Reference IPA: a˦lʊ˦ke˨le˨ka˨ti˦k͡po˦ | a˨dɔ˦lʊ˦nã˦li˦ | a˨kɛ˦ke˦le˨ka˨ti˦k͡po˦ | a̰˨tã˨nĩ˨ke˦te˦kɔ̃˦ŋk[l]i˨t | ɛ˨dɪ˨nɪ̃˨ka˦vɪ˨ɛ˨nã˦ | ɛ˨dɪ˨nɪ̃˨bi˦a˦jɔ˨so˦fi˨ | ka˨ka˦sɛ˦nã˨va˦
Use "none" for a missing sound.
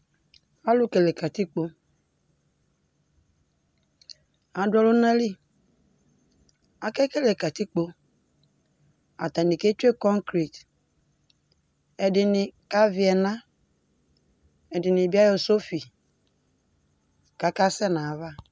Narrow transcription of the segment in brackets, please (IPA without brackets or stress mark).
ɾ